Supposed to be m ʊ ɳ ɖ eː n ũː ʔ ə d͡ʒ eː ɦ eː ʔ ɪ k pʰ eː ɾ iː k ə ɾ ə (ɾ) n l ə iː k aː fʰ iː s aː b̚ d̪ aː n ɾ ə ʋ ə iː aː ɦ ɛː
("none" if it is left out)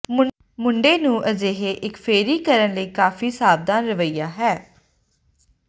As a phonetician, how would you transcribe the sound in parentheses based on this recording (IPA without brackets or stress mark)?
none